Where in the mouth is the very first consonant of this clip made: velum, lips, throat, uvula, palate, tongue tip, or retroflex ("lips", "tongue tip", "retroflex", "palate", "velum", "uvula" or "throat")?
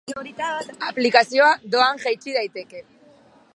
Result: lips